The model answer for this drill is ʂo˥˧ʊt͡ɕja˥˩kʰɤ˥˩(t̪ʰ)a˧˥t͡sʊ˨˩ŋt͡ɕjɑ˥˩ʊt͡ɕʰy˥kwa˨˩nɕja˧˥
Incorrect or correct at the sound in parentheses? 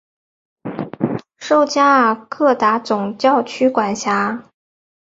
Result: incorrect: t̪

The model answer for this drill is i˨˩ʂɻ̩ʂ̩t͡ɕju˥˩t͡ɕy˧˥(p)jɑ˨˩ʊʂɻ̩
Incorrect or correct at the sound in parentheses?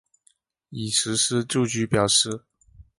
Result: correct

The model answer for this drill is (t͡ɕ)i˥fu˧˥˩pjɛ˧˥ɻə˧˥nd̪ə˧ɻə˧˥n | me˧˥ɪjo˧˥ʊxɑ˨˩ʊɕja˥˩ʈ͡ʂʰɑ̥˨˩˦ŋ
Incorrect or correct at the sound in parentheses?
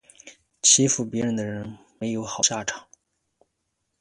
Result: incorrect: t͡ɕʰ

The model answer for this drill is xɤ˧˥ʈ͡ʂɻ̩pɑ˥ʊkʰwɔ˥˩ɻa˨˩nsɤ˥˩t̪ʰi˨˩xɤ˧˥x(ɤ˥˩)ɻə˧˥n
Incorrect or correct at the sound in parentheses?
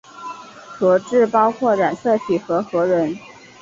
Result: incorrect: ɤ˧˥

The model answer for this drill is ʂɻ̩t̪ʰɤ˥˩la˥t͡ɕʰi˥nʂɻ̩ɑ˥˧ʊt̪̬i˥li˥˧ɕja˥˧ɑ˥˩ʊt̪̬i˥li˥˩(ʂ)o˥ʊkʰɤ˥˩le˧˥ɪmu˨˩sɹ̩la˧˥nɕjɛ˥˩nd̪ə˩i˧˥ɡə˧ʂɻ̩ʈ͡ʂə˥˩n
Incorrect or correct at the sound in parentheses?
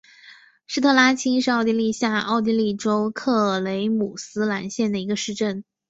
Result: incorrect: ʈ͡ʂ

